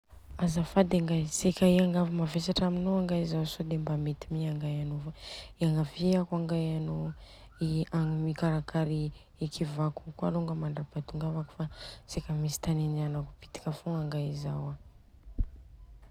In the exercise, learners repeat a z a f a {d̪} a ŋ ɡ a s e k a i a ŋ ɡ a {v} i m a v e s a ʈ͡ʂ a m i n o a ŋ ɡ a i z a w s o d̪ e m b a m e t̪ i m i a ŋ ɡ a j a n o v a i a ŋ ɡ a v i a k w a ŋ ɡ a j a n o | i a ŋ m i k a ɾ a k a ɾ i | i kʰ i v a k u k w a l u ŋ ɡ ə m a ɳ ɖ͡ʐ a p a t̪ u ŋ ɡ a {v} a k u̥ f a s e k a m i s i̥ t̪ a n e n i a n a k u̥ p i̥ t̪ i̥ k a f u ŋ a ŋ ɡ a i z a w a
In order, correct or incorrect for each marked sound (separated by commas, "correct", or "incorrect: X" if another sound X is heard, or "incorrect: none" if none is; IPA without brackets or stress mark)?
correct, correct, correct